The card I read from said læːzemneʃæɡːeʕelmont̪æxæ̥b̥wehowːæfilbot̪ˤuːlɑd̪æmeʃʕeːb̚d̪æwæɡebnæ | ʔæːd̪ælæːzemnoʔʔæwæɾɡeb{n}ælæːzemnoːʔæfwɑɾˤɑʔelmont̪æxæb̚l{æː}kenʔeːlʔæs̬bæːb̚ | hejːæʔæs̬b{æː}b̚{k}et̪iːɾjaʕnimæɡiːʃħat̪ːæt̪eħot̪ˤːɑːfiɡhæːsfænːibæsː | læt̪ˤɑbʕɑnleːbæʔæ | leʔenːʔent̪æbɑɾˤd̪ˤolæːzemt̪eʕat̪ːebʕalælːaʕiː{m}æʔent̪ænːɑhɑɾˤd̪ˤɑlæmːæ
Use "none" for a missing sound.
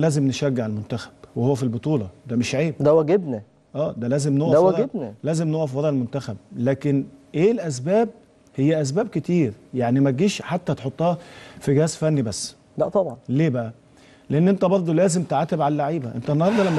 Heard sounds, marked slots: n, æː, æː, k, b

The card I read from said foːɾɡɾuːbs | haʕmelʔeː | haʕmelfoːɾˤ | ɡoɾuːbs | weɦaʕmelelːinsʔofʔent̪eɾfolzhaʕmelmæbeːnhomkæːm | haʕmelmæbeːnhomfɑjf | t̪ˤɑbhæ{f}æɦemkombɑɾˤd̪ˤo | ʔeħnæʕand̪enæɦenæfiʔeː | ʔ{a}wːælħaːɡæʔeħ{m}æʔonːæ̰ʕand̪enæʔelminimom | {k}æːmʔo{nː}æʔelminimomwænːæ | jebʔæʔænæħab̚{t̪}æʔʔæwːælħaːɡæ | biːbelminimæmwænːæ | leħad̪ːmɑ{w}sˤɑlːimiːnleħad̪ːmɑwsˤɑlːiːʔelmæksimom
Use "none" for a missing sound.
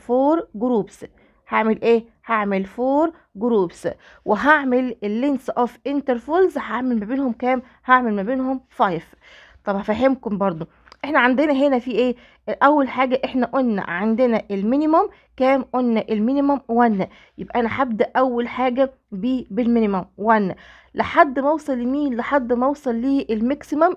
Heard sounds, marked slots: f, æ, n, k, nː, d̪, w

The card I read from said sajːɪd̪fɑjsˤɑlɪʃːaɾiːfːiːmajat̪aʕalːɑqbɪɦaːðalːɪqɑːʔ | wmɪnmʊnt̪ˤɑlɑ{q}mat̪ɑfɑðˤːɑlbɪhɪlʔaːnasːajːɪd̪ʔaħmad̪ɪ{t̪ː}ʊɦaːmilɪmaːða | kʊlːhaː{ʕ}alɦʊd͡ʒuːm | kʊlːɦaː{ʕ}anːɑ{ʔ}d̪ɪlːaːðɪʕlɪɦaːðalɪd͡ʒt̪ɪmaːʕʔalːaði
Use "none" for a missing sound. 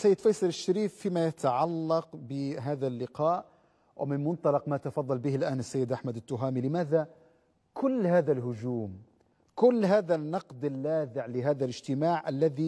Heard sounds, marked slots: q, t̪ː, ð, ð, q

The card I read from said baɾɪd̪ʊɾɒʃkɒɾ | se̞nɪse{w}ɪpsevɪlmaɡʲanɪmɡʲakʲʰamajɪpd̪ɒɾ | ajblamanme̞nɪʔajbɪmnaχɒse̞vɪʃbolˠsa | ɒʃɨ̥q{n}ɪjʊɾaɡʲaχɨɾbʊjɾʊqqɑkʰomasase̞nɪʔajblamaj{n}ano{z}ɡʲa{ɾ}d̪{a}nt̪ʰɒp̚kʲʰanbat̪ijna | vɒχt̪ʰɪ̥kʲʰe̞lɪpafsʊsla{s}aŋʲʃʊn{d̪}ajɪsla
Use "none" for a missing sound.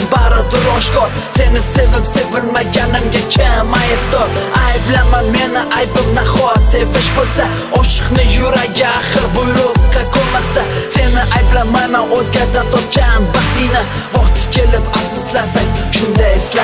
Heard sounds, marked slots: v, n, m, z, ɾ, a, s, d̪

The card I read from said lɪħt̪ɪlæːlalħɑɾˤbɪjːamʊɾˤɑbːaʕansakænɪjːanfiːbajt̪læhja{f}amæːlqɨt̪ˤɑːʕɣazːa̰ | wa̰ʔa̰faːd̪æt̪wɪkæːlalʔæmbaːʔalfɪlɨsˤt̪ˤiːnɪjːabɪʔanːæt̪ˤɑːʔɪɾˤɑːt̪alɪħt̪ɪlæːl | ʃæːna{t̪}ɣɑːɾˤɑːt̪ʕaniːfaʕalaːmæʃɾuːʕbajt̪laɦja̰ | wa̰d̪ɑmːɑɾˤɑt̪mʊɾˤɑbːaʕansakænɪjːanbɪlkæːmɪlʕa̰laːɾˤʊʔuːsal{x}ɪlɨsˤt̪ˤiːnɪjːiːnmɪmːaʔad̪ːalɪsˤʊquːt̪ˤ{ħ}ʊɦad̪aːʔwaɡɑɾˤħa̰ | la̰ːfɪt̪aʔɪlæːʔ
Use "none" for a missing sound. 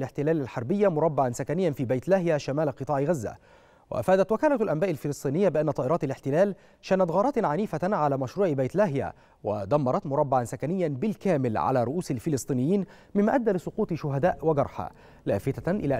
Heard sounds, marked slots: ʃ, t̪, f, ʃ

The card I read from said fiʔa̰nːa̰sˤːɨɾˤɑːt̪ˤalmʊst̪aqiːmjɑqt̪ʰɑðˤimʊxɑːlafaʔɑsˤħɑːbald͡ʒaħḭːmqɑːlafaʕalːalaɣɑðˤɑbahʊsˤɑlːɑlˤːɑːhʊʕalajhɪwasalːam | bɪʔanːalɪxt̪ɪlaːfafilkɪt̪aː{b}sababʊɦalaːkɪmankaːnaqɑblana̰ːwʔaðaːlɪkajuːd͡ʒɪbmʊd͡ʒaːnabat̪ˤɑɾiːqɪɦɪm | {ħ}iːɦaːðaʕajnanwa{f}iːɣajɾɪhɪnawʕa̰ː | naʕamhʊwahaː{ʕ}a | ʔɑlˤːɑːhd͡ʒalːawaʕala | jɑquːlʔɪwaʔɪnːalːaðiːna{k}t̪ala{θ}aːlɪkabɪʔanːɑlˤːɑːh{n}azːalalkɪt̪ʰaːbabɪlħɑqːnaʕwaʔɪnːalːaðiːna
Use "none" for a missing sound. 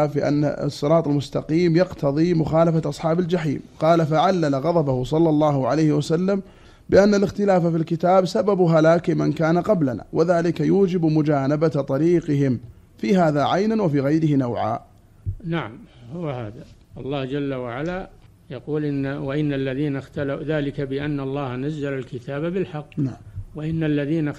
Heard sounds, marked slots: b, f, f, ð, x, ð, n

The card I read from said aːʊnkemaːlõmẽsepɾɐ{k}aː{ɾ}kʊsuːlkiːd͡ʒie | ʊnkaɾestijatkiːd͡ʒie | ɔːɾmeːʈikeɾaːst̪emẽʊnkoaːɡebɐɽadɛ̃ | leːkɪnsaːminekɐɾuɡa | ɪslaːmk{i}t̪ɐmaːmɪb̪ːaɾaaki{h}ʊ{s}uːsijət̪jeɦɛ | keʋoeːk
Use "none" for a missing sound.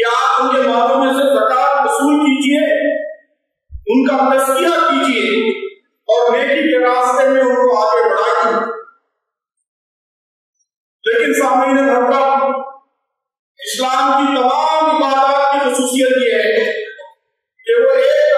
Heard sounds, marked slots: k, ɾ, i, x, s

